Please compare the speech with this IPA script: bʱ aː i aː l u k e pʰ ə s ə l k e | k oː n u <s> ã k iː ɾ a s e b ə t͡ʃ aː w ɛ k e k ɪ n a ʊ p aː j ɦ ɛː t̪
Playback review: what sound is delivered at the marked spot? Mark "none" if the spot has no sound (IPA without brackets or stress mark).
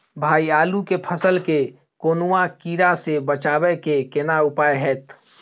none